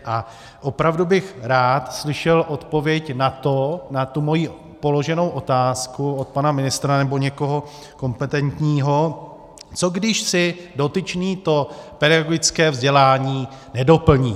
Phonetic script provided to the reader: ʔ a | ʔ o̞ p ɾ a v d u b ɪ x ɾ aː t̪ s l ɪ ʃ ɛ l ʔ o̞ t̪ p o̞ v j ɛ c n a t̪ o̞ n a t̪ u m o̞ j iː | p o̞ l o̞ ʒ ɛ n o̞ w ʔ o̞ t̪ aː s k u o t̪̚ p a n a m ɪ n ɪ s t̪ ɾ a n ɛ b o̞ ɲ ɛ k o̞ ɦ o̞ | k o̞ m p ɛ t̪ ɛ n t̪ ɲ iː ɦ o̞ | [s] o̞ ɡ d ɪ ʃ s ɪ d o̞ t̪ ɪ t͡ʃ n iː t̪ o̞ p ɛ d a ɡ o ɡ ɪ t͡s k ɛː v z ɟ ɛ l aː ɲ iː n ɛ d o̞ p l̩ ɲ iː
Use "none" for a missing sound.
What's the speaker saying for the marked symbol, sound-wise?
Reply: t͡s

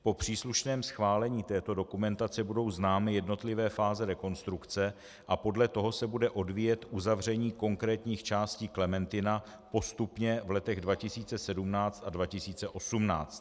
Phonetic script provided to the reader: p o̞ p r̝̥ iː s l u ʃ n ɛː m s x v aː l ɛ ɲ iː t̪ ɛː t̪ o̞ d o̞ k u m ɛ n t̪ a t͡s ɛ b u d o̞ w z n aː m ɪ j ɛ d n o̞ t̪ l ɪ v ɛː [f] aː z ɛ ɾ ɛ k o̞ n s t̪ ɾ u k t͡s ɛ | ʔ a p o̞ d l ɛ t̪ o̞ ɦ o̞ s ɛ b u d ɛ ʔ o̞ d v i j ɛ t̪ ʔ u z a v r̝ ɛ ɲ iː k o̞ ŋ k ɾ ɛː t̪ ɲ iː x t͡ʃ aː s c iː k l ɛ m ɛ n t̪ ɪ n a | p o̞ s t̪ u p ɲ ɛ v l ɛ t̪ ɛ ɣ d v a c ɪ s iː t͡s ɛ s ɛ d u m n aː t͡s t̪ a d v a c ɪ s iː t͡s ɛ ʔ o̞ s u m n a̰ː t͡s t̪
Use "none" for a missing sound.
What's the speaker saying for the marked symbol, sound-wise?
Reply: f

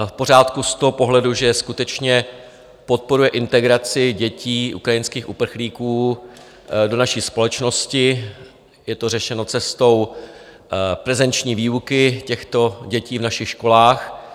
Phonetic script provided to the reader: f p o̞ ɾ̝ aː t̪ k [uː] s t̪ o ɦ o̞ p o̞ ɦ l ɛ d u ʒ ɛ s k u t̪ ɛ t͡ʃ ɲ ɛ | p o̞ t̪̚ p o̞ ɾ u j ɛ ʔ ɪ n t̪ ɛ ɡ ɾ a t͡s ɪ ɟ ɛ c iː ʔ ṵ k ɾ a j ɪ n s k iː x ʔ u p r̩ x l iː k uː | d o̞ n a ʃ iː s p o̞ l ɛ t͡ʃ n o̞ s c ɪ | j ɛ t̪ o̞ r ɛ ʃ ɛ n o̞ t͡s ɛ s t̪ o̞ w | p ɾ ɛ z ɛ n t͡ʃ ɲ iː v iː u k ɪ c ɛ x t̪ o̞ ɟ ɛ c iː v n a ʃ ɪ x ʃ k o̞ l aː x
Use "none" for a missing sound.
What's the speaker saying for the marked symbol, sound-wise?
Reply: u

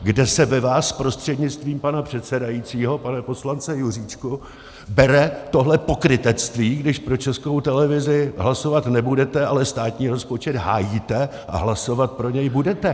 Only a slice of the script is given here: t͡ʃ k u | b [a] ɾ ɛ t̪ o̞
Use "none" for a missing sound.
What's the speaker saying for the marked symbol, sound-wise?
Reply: ɛ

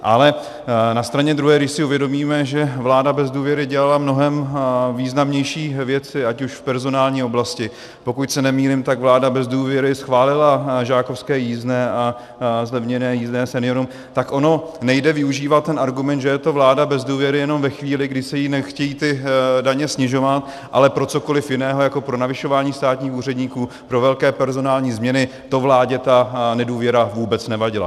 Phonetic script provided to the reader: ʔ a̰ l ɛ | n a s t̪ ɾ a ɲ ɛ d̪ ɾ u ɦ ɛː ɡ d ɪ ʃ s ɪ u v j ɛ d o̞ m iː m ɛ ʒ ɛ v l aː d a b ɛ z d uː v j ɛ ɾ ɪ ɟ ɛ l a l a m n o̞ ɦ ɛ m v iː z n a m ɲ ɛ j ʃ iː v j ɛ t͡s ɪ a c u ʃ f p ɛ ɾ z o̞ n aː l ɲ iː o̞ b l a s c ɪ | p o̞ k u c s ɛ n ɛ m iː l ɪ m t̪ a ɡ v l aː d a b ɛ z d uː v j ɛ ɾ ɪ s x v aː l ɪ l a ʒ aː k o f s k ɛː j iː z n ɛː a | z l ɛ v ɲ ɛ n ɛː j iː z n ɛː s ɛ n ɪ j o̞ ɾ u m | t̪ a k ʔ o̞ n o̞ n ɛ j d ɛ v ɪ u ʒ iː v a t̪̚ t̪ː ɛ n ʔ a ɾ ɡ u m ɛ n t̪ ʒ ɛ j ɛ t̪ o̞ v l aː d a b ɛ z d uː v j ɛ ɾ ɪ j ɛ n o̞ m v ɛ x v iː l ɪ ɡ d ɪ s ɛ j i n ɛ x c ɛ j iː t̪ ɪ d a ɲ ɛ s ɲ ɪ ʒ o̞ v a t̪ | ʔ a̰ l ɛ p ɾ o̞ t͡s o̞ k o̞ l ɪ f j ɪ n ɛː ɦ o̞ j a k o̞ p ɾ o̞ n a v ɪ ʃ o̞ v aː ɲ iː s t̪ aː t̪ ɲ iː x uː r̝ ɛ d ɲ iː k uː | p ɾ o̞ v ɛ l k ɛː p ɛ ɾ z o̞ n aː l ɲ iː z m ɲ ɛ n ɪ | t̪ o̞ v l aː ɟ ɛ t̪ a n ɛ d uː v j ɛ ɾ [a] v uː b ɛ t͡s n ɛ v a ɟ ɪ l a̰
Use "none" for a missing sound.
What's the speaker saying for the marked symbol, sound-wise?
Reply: a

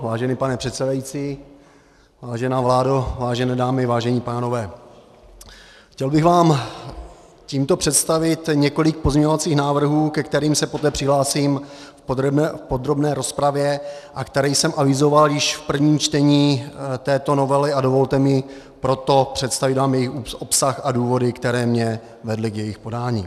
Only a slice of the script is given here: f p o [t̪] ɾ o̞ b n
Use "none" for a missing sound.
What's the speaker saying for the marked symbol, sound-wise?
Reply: d̪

